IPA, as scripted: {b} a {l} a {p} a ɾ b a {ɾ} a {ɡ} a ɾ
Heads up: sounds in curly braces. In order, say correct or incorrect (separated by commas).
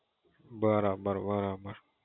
correct, incorrect, incorrect, correct, incorrect